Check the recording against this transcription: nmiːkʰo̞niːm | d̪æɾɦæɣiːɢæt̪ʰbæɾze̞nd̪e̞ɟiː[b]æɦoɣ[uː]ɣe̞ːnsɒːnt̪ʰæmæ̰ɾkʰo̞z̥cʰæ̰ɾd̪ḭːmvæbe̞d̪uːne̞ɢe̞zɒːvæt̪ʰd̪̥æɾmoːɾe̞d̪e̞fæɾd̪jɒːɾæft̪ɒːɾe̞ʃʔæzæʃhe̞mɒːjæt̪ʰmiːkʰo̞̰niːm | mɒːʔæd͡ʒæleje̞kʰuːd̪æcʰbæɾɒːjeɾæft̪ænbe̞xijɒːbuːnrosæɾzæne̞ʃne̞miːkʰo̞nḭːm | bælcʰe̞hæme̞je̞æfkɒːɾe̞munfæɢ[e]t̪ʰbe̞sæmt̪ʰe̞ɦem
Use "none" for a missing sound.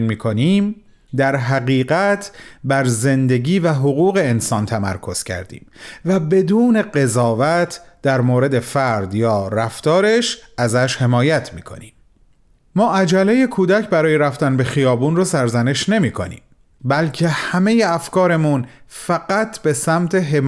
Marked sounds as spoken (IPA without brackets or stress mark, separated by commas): v, uː, æ